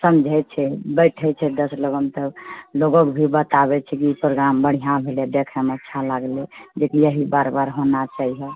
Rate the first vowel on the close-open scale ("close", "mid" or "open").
mid